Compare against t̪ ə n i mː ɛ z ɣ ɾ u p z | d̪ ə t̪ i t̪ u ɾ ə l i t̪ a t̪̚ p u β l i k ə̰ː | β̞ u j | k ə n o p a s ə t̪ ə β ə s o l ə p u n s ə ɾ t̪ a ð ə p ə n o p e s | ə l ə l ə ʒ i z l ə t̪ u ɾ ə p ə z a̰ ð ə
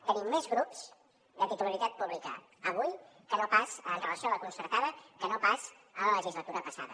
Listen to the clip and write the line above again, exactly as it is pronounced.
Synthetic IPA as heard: t̪ ə n i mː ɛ z ɣ ɾ u p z | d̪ ə t̪ i t̪ u l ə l i t̪ a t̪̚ p u β l i k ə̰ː | β̞ u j | k ə n o p a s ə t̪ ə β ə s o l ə k u n s ə ɾ t̪ a ð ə k ə n o p a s | ə l ə l ə ʒ i z l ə t̪ u ɾ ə p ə s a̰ ð ə

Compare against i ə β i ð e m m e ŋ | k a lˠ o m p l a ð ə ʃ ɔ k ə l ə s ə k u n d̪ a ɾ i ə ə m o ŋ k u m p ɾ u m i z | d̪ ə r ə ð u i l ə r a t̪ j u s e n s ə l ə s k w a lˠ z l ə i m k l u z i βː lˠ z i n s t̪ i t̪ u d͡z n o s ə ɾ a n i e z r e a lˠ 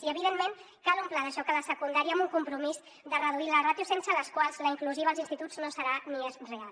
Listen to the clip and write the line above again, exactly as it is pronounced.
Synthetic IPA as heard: i ə β i ð e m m e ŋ | k a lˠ u m p l a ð ə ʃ ɔ k ə l ə s ə k u n d̪ a ɾ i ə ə m u ŋ k u m p ɾ u m i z | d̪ ə r ə ð u i l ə r a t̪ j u s e n s ə l ə s k w a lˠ z l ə i ŋ k l u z i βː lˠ z i n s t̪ i t̪ u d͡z n o s ə ɾ a n i e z r e a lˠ

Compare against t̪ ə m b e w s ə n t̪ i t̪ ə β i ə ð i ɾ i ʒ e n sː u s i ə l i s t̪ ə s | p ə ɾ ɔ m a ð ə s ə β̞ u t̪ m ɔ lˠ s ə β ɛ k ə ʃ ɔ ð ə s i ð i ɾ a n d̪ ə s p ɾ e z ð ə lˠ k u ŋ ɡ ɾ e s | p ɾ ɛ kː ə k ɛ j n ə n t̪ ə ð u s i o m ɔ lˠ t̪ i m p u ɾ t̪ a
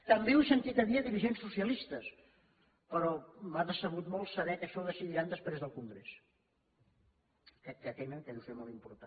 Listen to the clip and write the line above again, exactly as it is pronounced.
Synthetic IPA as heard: t̪ ə m b e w s ə n t̪ i t̪ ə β i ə ð i ɾ i ʒ e n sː u s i ə l i s t̪ ə s | p ə ɾ ɔ m a ð ə s ə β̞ u t̪ m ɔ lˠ s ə β ɛ k ə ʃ ɔ ð ə s i ð i ɾ a n d̪ ə s p ɾ e z ð ə lˠ k u ŋ ɡ ɾ e s | k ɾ ɛ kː ə k ɛ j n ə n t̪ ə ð u s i o m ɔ lˠ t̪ i m p u ɾ t̪ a

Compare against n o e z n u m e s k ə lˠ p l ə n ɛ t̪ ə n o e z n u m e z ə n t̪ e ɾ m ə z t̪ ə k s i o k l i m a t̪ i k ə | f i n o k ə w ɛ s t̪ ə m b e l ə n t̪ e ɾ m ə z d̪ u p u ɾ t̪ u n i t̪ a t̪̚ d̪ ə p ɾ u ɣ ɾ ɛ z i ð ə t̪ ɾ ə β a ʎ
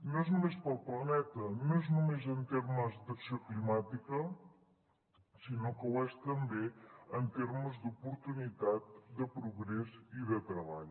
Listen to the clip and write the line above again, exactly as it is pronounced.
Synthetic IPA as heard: n o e z n u m e s p ə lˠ p l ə n ɛ t̪ ə n o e z n u m e z ə n t̪ e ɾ m ə z d̪ ə k s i o k l i m a t̪ i k ə | s i n o k ə w ɛ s t̪ ə m b e ə n t̪ e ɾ m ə z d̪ u p u ɾ t̪ u n i t̪ a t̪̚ d̪ ə p ɾ u ɣ ɾ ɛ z i ð ə t̪ ɾ ə β a ʎ

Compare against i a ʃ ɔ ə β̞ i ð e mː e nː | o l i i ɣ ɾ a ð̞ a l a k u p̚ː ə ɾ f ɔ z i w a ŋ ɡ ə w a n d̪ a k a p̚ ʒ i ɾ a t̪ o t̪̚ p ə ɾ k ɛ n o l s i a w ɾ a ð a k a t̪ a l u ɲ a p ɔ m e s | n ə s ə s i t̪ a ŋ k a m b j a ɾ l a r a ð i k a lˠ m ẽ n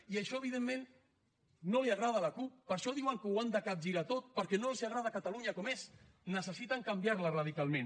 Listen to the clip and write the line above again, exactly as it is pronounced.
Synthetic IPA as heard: i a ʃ ɔ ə β̞ i ð e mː e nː | o l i a ɣ ɾ a ð̞ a l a k u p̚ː ə ɾ ʃ ɔ ð i w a ŋ k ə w a n d̪ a k a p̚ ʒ i ɾ a t̪ o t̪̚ p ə ɾ k ɛ n o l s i a ɣ ɾ a ð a k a t̪ a l u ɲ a k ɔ m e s | n ə s ə s i t̪ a ŋ k a m b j a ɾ l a r a ð i k a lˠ m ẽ n

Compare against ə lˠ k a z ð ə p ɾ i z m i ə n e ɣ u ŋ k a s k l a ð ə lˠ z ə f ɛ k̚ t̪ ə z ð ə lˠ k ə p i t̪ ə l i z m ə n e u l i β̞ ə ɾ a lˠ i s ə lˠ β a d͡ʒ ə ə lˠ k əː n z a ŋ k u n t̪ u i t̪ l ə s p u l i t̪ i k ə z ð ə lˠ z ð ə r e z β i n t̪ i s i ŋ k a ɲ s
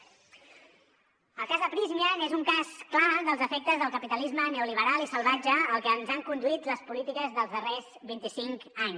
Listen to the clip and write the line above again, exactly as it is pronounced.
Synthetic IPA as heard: ə lˠ k a z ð ə p ɾ i z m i ə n e z u ŋ k a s k l a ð ə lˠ z ə f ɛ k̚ t̪ ə z ð ə lˠ k ə p i t̪ ə l i z m ə n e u l i β̞ ə ɾ a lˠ i s ə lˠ β a d͡ʒ ə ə lˠ k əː n z a ŋ k u n d̪ u i t̪ l ə s p u l i t̪ i k ə z ð ə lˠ z ð ə r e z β i n t̪ i s i ŋ k a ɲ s

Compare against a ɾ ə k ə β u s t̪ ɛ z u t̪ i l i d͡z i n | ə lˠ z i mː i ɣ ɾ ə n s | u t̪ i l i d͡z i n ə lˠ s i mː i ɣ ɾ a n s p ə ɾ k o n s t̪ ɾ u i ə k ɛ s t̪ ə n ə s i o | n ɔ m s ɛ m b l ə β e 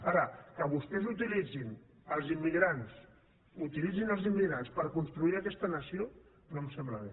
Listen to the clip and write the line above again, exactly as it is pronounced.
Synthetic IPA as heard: a ɾ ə k ə β u s t̪ ɛ z u t̪ i l i d͡z i n | ə lˠ z i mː i ɣ ɾ a n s | u t̪ i l i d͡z i n ə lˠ z i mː i ɣ ɾ a n s p ə ɾ k u n s t̪ ɾ u i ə k ɛ s t̪ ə n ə s i o | n o m s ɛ m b l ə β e

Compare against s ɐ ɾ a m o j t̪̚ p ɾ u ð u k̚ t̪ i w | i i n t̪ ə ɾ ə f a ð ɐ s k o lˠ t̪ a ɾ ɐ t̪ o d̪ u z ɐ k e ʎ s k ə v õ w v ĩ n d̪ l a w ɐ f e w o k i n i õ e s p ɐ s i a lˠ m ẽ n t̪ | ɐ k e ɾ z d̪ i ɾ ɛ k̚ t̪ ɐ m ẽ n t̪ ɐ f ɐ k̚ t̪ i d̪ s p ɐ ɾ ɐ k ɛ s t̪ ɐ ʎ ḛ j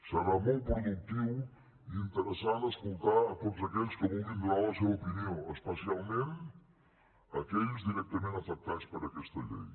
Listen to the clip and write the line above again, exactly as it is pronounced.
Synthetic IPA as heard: s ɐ ɾ a m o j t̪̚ p ɾ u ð u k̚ t̪ i w | i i n t̪ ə ɾ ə s a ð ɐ s k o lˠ t̪ a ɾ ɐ t̪ o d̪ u z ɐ k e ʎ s k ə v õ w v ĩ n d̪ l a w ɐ s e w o p i n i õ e s p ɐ s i a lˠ m ẽ n t̪ | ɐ k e ʎ z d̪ i ɾ ɛ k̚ t̪ ɐ m ẽ n t̪ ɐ f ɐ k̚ t̪ a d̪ s p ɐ ɾ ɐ k ɛ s t̪ ɐ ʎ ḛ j

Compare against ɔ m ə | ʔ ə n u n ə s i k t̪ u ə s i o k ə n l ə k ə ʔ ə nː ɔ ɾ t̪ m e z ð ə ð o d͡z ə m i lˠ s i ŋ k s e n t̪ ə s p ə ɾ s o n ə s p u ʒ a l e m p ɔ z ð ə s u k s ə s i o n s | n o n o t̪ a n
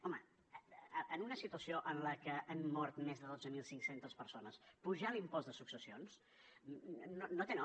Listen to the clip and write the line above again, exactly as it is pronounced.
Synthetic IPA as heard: ɔ m ə | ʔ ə n u n ə s i t̪ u ə s i o ʔ ə n l ə k ə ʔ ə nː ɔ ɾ t̪ m e z ð ə ð o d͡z ə m i lˠ s i ŋ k s e n t̪ ə s p ə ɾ s o n ə s p u ʒ a l i m p ɔ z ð ə s u k s ə s i o n s | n o n o t̪ e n

